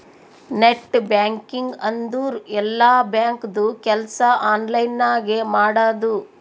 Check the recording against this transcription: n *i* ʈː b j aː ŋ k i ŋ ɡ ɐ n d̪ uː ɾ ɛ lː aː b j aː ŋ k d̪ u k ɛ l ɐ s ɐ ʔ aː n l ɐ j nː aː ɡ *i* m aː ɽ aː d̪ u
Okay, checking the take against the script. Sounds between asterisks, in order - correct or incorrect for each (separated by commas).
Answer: incorrect, incorrect